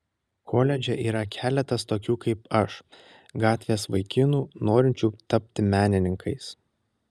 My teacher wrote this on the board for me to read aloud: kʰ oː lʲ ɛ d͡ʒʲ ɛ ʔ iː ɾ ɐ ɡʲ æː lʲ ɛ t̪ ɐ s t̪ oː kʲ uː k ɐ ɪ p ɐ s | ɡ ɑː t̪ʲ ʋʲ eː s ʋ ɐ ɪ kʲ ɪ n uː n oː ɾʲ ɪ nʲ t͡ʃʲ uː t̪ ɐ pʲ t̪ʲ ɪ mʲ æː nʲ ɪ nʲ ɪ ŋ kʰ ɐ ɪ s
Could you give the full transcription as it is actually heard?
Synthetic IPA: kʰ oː lʲ ɛ d͡ʒʲ ɛ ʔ iː ɾ ɐ kʲ æː lʲ ɛ t̪ ɐ s t̪ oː kʲ uː k ɐ ɪ p ɐ ʃ | ɡ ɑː t̪ʲ ʋʲ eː s ʋ ɐ ɪ kʲ ɪ n uː n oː ɾʲ ɪ nʲ t͡ʃʲ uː t̪ ɐ pʲ t̪ʲ ɪ mʲ æː nʲ ɪ nʲ ɪ ŋ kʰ ɐ ɪ s

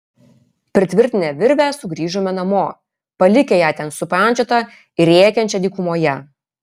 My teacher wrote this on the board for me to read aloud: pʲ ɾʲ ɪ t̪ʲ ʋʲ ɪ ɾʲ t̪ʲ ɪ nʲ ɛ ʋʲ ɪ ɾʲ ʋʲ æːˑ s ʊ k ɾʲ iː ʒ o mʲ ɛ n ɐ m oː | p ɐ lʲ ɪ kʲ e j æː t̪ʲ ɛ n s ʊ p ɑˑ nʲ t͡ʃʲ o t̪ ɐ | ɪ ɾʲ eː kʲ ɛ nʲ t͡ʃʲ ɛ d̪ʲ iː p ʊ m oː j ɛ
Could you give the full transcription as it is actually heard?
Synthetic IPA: pʲ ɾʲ ɪ t̪ʲ ʋʲ ɪ ɾʲ t̪ʲ ɪ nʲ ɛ ʋʲ ɪ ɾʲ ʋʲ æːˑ s ʊ ɡ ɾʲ iː ʒ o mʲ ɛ n ɐ m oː | p ɐ lʲ ɪ kʲ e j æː t̪ʲ ɛ n s ʊ p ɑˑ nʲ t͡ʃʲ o t̪ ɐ | ɪ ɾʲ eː kʲ ɛ nʲ t͡ʃʲ ɛ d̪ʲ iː k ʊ m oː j ɛ

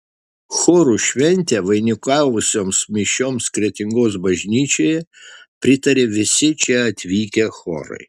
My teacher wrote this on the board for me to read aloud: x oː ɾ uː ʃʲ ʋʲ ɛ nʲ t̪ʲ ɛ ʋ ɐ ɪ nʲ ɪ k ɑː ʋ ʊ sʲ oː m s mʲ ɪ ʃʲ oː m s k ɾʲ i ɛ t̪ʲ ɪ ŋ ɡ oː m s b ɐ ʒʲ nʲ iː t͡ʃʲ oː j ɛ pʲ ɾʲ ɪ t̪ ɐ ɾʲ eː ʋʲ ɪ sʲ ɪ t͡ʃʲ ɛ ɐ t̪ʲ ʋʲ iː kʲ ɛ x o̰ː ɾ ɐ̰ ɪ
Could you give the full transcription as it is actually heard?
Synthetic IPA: x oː ɾ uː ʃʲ ʋʲ ɛ nʲ t̪ʲ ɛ ʋ ɐ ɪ nʲ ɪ k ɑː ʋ ʊ sʲ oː m s mʲ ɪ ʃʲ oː m s k ɾʲ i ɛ t̪ʲ ɪ ŋ ɡ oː s b ɐ ʒʲ nʲ iː t͡ʃʲ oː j ɛ pʲ ɾʲ ɪ t̪ ɐ ɾʲ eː ʋʲ ɪ sʲ ɪ t͡ʃʲ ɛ ɐ t̪ʲ ʋʲ iː kʲ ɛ x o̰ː ɾ ɐ̰ ɪ

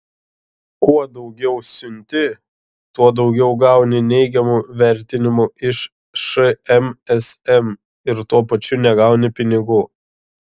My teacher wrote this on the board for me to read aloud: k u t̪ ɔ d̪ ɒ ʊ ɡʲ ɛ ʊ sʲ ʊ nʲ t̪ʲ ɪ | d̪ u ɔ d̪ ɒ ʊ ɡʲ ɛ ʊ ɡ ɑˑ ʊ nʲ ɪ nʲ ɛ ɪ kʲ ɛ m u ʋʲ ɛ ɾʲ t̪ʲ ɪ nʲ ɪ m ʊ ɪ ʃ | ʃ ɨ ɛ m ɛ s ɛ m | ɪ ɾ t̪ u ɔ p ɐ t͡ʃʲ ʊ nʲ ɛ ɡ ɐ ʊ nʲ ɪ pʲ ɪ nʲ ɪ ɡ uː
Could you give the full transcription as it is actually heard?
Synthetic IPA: k u ɔ d̪ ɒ ʊ ɡʲ ɛ ʊ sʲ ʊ nʲ t̪ʲ ɪ | t̪ u ɔ d̪ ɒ ʊ ɡʲ ɛ ʊ ɡ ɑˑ ʊ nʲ ɪ nʲ ɛ ɪ ɡʲ ɛ m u ʋʲ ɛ ɾʲ t̪ʲ ɪ nʲ ɪ m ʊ ɪ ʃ | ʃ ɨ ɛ m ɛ s ɛ m | ɪ ɾ t̪ u ɔ p ɐ t͡ʃʲ ʊ nʲ ɛ ɡ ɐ ʊ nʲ ɪ pʲ ɪ nʲ ɪ ɡ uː

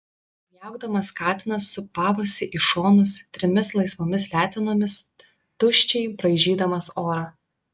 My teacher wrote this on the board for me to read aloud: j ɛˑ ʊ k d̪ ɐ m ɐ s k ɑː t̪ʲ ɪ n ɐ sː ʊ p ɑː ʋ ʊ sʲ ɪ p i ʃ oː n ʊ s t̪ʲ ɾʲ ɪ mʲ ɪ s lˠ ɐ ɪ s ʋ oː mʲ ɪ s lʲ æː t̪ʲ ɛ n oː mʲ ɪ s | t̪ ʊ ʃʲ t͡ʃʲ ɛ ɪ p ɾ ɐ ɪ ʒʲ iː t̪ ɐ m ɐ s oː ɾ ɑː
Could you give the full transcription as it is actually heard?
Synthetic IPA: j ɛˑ ʊ ɡ d̪ ɐ m ɐ s k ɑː t̪ʲ ɪ n ɐ sː ʊ p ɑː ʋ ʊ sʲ ɪ ʔ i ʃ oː n ʊ s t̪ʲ ɾʲ ɪ mʲ ɪ s lˠ ɐ ɪ s ʋ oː mʲ ɪ s lʲ æː t̪ʲ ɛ n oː mʲ ɪ s | t̪ ʊ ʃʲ t͡ʃʲ ɛ ɪ p ɾ ɐ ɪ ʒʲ iː d̪ ɐ m ɐ s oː ɾ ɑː

